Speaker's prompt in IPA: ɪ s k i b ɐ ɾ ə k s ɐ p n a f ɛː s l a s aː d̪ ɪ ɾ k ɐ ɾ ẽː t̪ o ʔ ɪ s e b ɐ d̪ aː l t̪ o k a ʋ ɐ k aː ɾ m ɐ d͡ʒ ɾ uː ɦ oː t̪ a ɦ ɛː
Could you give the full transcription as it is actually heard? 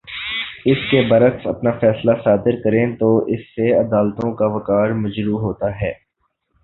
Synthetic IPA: ɪ s k e b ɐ ɾ ə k s ɐ p n a f ɛː s l a s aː d̪ ɪ ɾ k ɐ ɾ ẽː t̪ o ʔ ɪ sː e ɐ d̪ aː l t̪ õ k a ʋ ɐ k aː ɾ m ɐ d͡ʒ ɾ uː ɦ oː t̪ a ɦ ɛː